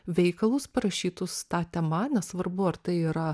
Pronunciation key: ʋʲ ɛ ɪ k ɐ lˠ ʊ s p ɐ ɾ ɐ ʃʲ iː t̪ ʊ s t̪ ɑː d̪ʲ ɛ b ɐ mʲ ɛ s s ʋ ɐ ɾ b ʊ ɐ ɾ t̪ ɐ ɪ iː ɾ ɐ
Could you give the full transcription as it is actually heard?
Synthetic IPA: ʋʲ ɛ ɪ k ɐ lˠ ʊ s p ɐ ɾ ɐ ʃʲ iː t̪ ʊ s t̪ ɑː t̪ʲ ɛ m ɐ nʲ ɛ s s ʋ ɐ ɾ b ʊ ɐ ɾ t̪ ɐ ɪ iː ɾ ɐ